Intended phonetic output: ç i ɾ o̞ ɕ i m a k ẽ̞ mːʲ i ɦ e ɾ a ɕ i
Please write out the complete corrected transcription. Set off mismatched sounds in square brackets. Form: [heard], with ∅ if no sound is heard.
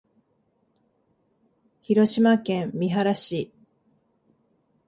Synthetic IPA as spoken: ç i ɾ o̞ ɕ i m a k ẽ̞ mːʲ i ɦ [a] ɾ a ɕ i